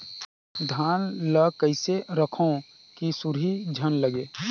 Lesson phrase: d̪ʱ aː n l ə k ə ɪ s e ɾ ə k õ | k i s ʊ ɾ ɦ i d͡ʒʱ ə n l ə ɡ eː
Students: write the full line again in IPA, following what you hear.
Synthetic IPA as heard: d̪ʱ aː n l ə k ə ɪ s e ɾ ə kʰ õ | k i s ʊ ɾ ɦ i d͡ʒʱ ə n l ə ɡ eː